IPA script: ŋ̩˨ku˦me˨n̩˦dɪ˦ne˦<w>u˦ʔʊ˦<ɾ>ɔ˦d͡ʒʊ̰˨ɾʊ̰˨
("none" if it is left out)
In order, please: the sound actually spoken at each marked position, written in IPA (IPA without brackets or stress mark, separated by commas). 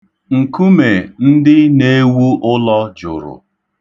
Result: w, l